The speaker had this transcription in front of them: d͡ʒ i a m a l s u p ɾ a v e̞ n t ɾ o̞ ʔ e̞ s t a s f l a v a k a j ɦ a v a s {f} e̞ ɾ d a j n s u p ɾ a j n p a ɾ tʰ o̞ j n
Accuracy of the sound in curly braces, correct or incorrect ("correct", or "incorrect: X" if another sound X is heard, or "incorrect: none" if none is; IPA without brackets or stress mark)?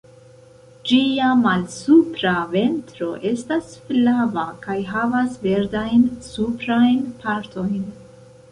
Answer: incorrect: v